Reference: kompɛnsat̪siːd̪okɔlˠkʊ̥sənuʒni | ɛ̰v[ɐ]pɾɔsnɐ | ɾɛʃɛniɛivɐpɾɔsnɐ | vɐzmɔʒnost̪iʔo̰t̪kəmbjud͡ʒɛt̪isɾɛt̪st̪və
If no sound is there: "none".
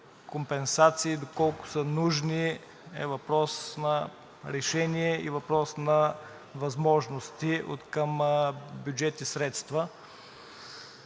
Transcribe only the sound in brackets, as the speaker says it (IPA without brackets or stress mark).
ɐ